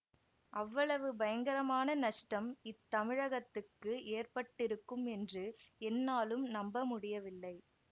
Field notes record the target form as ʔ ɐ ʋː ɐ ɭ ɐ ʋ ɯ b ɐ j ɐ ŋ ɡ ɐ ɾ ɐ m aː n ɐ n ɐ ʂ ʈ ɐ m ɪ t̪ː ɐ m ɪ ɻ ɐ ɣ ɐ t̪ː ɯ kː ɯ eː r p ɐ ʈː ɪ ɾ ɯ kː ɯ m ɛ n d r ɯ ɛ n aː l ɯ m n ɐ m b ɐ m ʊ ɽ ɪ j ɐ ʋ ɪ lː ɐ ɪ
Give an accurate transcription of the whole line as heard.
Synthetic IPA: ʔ ɐ ʋː ɐ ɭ ɐ ʋ ɯ b ɐ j ɐ ŋ ɡ ɐ ɾ ɐ m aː n ɐ n ɐ ʂ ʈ ɐ m ɪ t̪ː ɐ m ɪ ɻ ɐ ɣ ɐ t̪ː ɯ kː ɯ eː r p ɐ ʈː ɪ ɾ ɯ kː ɯ m ɛ n d r ɯ ɛ nː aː l ɯ m n ɐ m b ɐ m ʊ ɽ ɪ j ɐ ʋ ɪ lː ɐ ɪ